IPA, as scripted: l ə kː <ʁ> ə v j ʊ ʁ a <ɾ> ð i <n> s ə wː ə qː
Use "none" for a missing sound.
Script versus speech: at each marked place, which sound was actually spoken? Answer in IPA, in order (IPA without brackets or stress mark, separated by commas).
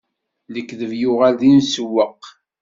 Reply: ð, l, n